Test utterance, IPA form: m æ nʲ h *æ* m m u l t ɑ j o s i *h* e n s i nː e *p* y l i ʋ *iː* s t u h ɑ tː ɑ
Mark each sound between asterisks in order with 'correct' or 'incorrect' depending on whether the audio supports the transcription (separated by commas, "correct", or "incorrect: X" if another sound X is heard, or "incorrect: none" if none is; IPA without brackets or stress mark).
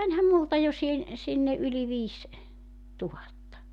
correct, correct, incorrect: ʔ, correct